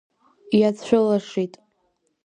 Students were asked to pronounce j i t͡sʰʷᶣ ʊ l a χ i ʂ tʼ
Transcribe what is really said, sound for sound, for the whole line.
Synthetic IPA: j a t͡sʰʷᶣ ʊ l a ʂ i tʼ